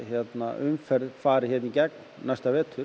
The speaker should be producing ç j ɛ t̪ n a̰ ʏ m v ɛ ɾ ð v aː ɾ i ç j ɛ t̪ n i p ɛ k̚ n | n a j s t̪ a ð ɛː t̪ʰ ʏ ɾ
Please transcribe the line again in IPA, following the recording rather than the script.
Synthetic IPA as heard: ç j ɛ t̪ n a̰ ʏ m f ɛ ɾ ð f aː ɾ ɪ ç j ɛ t̪ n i c ɛ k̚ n | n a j s t̪ a v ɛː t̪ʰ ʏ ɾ